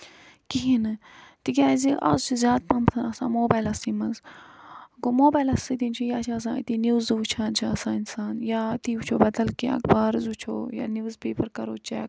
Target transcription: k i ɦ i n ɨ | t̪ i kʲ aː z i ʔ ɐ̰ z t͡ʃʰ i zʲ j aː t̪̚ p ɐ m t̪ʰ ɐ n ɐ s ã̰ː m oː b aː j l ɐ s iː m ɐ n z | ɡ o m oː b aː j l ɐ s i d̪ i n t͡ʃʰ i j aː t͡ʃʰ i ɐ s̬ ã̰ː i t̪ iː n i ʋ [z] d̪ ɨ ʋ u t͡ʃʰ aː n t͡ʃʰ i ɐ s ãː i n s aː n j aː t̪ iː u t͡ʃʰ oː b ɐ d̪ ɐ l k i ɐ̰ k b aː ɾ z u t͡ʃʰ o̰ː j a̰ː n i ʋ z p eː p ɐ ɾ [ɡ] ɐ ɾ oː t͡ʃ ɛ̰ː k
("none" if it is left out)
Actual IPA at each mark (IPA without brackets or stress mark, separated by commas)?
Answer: z, k